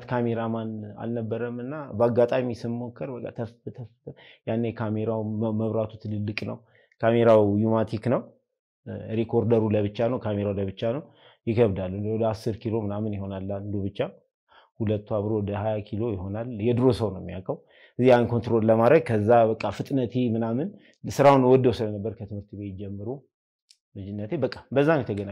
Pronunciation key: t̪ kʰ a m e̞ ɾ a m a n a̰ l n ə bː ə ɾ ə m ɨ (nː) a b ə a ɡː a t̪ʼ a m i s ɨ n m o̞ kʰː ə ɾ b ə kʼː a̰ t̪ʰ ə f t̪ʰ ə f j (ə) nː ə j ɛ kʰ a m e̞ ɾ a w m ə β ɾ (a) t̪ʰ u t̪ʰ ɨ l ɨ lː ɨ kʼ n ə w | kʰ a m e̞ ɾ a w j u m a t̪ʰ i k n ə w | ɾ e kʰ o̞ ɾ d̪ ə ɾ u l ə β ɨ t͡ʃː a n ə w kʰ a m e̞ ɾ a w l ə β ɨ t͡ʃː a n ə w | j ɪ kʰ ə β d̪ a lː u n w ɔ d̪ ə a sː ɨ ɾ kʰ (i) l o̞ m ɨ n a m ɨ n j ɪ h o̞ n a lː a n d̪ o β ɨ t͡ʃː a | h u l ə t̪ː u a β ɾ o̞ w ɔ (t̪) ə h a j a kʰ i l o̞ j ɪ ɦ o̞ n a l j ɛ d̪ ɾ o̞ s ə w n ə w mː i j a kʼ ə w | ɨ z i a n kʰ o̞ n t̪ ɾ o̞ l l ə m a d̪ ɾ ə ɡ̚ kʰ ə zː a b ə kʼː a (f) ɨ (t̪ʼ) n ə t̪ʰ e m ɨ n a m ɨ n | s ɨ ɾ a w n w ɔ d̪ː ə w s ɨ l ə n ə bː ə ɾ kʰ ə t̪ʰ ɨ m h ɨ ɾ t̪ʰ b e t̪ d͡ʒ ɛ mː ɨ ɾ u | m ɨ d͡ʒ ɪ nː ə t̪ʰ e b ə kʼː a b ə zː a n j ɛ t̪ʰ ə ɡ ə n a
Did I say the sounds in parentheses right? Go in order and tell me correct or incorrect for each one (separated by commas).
correct, incorrect, correct, correct, incorrect, correct, correct